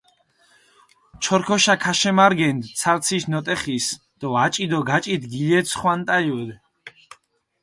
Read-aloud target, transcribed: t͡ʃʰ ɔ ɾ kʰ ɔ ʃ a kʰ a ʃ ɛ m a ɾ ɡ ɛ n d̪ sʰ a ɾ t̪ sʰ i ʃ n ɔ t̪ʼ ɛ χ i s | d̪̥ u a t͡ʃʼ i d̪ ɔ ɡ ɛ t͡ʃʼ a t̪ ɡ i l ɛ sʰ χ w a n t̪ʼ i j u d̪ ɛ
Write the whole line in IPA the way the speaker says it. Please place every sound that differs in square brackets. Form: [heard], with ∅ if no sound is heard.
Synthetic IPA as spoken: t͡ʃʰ ɔ ɾ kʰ ɔ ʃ a kʰ a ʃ ɛ m a ɾ ɡ ɛ n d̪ sʰ a ɾ t̪ sʰ i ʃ n ɔ t̪ʼ ɛ χ i s | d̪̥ [ɔ] a t͡ʃʼ i d̪ ɔ ɡ [a] t͡ʃʼ [i] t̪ ɡ i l ɛ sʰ χ w a n t̪ʼ [a] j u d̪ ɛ